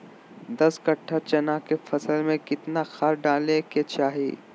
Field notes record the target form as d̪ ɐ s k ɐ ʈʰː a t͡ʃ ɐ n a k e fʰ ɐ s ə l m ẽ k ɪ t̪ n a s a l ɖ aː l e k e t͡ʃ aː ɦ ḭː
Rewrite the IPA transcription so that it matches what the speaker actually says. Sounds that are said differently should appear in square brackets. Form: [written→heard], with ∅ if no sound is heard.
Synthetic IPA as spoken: d̪ ɐ s k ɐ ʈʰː a t͡ʃ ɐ n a k e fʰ ɐ s ə l m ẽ k ɪ t̪ n a [s→x] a [l→ɾ] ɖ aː l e k e t͡ʃ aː ɦ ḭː